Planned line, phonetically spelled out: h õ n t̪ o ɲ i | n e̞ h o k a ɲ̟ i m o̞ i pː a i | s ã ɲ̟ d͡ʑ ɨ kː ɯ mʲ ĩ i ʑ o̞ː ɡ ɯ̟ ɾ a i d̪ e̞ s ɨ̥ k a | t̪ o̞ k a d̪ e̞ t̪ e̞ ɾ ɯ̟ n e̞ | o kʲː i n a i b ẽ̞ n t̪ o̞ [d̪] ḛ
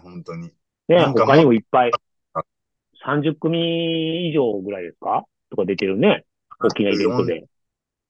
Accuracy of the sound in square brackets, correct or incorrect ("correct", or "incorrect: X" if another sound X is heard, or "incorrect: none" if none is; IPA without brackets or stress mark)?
correct